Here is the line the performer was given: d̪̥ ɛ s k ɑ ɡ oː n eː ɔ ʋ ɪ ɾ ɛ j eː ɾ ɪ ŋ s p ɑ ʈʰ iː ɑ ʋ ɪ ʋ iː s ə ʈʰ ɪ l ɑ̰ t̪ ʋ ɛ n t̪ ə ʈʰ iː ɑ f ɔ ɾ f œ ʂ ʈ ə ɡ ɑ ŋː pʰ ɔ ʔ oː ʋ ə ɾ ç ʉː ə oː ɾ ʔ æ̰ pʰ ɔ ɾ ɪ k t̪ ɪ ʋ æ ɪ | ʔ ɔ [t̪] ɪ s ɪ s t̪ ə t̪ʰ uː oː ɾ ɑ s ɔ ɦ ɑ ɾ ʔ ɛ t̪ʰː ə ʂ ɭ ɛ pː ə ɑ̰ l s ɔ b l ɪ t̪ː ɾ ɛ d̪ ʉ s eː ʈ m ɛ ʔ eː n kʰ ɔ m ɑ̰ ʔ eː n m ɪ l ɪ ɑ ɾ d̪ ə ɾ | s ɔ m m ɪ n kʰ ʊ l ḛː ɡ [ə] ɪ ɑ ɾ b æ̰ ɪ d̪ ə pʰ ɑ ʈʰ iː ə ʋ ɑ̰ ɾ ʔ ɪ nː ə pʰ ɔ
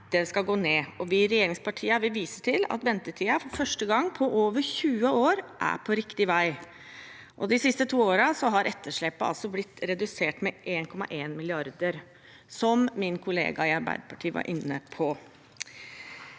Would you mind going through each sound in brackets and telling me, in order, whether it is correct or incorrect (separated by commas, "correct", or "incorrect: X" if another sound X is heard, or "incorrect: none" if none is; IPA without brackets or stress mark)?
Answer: incorrect: d̪, incorrect: ɑ